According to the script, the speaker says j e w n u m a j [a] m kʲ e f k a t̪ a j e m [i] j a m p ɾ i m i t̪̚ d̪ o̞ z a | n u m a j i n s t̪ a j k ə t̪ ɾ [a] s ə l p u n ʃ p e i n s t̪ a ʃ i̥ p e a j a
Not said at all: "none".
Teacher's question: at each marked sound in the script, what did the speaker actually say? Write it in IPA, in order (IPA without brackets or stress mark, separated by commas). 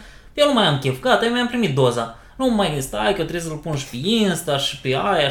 a, a, e